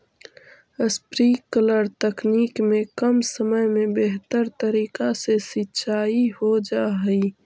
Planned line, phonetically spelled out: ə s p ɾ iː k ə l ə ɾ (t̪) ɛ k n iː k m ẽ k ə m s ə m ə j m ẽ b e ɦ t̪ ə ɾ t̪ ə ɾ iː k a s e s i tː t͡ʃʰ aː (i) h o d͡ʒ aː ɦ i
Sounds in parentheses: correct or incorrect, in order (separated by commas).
correct, correct